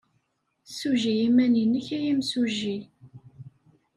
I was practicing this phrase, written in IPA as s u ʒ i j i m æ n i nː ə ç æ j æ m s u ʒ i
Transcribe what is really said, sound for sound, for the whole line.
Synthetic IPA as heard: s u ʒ i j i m æ n i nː ə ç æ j i m s u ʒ i